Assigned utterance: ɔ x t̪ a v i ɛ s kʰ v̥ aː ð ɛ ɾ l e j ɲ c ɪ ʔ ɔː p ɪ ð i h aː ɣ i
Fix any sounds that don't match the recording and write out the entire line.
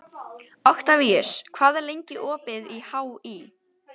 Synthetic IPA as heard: ɔ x t̪ a v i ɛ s kʰ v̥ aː ð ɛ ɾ l e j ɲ c ɪ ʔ ɔː p ɪ ð i h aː w i